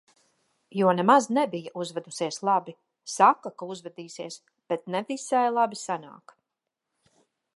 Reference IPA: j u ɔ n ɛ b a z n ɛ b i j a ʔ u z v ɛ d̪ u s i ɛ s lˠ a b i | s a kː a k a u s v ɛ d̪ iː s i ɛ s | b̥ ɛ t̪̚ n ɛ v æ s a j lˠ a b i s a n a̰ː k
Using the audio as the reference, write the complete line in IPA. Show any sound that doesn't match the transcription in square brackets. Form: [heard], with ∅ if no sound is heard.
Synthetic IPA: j u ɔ n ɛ [m] a z n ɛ b i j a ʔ u z v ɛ d̪ u s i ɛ s lˠ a b i | s a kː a k a u [z] v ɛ d̪ iː s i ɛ s | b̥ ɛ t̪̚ n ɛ v [i] s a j lˠ a b i s a n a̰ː k